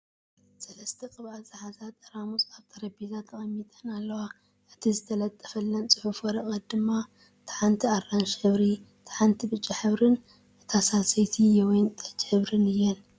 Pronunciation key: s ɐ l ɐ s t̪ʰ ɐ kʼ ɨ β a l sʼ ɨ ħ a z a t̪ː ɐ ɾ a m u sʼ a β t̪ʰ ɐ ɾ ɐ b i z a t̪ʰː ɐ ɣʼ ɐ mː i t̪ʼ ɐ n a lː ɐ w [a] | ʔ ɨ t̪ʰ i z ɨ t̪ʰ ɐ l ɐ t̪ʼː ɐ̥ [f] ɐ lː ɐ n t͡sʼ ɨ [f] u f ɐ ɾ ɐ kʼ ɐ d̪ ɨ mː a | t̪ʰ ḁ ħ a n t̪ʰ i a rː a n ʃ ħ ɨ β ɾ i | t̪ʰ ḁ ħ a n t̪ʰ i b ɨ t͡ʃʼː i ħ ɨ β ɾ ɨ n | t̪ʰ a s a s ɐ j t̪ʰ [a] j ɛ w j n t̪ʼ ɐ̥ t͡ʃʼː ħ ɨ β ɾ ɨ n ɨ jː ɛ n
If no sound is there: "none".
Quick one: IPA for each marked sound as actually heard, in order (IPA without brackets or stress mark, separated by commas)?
a, f, ħ, i